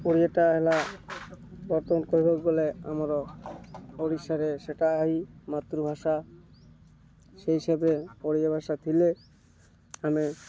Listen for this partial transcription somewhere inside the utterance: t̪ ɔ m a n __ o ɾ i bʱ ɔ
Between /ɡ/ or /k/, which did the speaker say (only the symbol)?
k